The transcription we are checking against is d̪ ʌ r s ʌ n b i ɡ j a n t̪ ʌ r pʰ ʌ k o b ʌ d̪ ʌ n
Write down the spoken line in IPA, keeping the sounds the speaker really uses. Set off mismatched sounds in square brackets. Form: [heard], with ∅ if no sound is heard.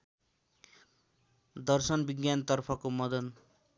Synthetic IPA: d̪ ʌ r s ʌ n b i ɡ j a n t̪ ʌ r pʰ ʌ k o [m] ʌ d̪ ʌ n

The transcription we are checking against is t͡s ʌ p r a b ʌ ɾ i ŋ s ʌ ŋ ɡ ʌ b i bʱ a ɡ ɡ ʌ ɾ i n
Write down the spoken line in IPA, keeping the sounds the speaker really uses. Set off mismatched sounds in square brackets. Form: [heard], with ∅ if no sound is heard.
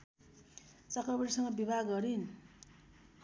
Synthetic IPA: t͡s ʌ [k] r [ʌ] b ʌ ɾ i [∅] s ʌ ŋ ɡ ʌ b i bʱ a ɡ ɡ ʌ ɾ i n

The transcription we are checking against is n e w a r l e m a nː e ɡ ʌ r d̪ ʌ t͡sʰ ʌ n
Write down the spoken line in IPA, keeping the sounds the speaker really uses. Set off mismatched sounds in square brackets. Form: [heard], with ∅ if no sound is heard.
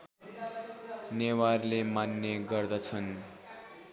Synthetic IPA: n e w a r l e m a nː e ɡ ʌ r d̪ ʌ t͡sʰ ʌ n

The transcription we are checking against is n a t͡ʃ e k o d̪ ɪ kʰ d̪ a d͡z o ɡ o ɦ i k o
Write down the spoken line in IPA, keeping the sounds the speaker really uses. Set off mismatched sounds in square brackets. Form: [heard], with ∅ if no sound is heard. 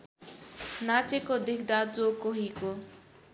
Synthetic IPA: n a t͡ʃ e k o d̪ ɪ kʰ d̪ a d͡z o [k] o ɦ i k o

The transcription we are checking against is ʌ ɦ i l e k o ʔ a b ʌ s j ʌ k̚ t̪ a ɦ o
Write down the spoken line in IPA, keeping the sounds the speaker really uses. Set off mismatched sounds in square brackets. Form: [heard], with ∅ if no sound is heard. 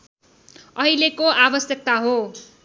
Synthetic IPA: ʌ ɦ i l e k o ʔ a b ʌ s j ʌ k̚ t̪ a ɦ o

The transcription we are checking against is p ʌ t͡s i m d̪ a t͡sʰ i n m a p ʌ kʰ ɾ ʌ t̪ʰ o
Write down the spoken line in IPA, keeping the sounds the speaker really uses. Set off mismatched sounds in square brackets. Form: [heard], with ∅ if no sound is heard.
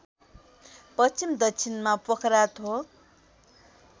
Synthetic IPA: p ʌ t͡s i m d̪ [ʌ] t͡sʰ i n m a p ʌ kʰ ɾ [a] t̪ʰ o

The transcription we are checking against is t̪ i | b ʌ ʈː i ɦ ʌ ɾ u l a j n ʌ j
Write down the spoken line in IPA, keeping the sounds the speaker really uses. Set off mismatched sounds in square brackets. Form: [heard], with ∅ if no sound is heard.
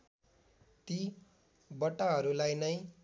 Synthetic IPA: t̪ i | b ʌ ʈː [a] ɦ ʌ ɾ u l a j n ʌ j

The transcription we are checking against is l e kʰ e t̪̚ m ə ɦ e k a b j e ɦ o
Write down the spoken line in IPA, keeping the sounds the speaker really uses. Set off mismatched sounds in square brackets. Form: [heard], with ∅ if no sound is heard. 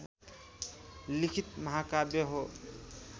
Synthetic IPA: l [i] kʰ [i] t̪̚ m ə ɦ [a] k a b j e ɦ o

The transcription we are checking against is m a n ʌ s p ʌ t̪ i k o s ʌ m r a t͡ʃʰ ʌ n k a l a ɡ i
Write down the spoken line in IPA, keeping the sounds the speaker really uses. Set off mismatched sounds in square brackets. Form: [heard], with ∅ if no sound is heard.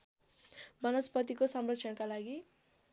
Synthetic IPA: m [ʌ] n ʌ s p ʌ t̪ i k o s ʌ m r [ʌ] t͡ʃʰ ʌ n k a l a ɡ i

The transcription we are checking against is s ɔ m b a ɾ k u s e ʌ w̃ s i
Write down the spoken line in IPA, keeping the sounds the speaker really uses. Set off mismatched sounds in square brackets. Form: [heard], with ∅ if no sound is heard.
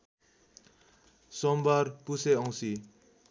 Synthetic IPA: s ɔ m b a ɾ [p] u s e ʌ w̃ s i

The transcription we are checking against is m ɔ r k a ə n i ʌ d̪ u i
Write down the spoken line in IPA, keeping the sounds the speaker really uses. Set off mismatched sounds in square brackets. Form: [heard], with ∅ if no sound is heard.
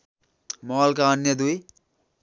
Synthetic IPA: m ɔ [l] k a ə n [j] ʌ d̪ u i

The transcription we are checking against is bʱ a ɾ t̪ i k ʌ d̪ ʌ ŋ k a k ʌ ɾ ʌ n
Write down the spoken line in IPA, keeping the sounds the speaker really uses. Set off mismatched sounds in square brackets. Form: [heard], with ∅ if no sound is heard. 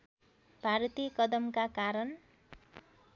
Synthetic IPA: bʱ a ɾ t̪ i k ʌ d̪ ʌ [m] k a k [a] ɾ ʌ n

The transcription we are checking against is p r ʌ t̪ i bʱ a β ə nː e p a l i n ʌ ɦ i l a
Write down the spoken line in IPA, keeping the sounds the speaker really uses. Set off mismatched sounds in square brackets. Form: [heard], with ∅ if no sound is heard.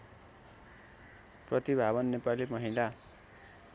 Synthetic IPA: p r ʌ t̪ i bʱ a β [ʌ] nː e p a l i [m] ʌ ɦ i l a

